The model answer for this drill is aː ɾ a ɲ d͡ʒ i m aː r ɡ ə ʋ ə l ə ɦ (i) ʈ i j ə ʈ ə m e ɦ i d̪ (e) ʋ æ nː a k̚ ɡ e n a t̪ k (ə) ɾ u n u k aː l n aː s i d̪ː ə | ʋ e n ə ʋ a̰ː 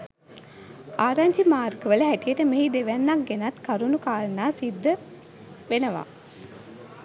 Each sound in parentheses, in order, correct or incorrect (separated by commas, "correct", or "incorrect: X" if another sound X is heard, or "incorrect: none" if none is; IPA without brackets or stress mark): incorrect: æ, correct, incorrect: a